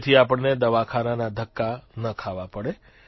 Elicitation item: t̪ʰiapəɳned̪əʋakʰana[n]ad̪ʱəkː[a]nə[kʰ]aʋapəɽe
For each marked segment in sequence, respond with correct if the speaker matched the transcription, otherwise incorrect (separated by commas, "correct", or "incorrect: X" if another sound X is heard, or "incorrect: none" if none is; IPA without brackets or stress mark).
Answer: correct, correct, correct